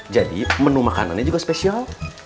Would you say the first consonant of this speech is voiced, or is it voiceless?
voiced